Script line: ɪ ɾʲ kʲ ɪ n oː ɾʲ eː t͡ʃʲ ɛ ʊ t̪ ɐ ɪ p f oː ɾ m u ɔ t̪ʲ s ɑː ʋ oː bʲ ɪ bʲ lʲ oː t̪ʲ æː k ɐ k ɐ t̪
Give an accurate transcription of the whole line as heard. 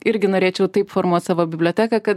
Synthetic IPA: ɪ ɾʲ ɡʲ ɪ n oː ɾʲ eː t͡ʃʲ ɛ ʊ t̪ ɐ ɪ p f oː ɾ m u ɔ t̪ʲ s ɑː ʋ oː bʲ ɪ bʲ lʲ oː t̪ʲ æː k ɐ k ɐ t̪